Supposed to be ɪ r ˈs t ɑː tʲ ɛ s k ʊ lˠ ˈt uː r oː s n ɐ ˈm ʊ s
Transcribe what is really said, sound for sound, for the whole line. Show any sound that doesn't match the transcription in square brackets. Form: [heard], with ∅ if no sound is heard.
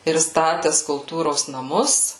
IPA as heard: ɪ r ˈs t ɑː tʲ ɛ s k ʊ lˠ ˈt uː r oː s n ɐ ˈm ʊ s

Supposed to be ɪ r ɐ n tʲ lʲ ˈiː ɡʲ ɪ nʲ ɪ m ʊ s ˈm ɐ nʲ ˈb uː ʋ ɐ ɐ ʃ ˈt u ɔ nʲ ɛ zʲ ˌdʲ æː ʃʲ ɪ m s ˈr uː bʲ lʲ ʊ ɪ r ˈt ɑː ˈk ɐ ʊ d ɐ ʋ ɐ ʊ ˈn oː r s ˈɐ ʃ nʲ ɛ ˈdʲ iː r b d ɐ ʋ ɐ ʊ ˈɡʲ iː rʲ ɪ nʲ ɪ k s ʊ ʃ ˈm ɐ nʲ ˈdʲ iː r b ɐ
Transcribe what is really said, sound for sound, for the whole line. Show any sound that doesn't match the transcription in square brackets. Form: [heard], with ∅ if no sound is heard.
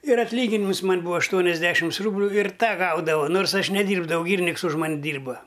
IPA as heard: ɪ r ɐ [∅] tʲ lʲ ˈiː ɡʲ ɪ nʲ ɪ m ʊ s ˈm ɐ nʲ ˈb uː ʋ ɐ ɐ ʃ ˈt u ɔ nʲ ɛ zʲ ˌdʲ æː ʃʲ ɪ m s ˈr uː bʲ lʲ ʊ ɪ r ˈt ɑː [ˈɡ] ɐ ʊ d ɐ ʋ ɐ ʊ ˈn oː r s ˈɐ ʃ nʲ ɛ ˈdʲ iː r b d ɐ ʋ ɐ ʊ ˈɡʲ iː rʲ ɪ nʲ ɪ k s ʊ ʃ ˈm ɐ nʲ ˈdʲ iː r b ɐ

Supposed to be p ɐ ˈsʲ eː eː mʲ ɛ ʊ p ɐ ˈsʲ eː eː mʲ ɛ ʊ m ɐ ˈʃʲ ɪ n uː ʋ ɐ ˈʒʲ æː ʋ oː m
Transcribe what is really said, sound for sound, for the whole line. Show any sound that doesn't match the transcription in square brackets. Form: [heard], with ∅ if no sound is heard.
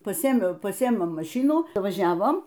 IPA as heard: p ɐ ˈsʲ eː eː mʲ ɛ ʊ p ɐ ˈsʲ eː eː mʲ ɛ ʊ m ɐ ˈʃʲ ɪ n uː ʋ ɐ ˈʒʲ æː ʋ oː m

